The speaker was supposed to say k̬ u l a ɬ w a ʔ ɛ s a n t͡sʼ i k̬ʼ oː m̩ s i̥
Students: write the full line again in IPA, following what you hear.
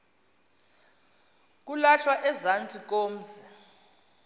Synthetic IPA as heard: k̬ u l a ɬ w a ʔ ɛ z a n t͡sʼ i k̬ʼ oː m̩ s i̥